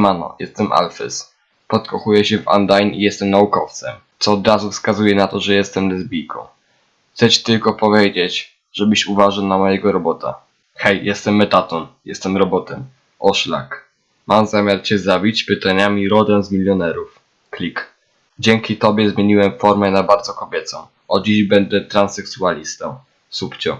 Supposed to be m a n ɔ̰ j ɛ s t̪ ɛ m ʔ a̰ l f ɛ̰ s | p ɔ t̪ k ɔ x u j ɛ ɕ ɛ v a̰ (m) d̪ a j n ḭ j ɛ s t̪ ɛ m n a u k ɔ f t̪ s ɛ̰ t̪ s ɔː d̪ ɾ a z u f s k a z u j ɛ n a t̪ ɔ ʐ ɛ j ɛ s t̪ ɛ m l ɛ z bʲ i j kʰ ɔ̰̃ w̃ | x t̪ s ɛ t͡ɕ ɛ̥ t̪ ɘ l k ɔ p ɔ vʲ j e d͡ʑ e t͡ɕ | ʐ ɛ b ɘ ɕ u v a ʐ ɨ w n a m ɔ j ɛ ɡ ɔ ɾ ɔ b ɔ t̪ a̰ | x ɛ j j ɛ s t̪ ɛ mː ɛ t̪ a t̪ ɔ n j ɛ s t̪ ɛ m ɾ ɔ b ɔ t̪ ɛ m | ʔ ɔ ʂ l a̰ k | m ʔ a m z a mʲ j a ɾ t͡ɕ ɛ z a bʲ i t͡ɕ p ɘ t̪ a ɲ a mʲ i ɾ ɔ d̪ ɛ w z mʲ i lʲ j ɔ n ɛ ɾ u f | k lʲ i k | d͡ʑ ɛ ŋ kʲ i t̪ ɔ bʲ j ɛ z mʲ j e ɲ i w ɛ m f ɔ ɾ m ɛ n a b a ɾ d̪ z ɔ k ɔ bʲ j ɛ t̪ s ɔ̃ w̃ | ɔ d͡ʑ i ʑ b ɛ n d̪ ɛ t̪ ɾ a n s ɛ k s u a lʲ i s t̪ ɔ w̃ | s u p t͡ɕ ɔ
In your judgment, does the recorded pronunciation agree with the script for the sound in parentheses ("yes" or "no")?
no